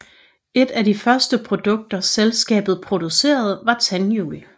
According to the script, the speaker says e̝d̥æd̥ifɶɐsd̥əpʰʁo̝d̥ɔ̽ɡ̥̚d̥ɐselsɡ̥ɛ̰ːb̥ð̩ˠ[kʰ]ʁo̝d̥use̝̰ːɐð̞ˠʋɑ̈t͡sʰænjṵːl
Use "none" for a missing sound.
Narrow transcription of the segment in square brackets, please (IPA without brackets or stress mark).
pʰ